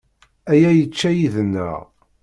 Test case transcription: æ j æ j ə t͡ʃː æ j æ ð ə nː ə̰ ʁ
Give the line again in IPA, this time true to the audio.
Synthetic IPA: æ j æ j ə t͡ʃː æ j i ð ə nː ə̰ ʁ